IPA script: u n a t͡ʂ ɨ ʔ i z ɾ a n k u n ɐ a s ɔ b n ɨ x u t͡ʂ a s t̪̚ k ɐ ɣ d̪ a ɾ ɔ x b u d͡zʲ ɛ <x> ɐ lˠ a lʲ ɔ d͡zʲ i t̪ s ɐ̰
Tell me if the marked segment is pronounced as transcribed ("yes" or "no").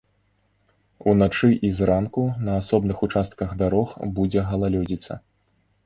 no